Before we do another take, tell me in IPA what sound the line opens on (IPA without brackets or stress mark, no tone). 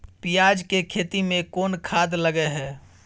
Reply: p